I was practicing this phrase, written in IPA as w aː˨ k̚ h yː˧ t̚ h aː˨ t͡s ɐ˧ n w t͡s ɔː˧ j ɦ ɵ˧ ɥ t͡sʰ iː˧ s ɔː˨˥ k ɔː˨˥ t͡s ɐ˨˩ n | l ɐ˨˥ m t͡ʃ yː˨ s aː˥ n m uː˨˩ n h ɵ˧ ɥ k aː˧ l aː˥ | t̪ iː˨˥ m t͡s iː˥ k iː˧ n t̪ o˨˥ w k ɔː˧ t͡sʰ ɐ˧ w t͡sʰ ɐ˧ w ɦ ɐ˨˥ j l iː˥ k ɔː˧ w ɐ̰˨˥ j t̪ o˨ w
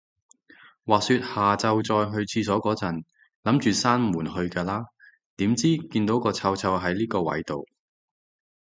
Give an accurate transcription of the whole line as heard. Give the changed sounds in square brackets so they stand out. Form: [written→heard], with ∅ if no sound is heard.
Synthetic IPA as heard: w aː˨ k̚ [h→s] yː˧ t̚ h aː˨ t͡s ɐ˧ [n→∅] w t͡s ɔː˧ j ɦ ɵ˧ ɥ t͡sʰ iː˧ s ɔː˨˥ k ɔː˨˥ t͡s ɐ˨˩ n | l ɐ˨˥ m t͡ʃ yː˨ s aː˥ n m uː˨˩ n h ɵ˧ ɥ k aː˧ l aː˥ | t̪ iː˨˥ m t͡s iː˥ k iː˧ n t̪ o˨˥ w k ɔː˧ t͡sʰ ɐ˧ w t͡sʰ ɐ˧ w ɦ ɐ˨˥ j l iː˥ k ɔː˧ w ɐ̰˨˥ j t̪ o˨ w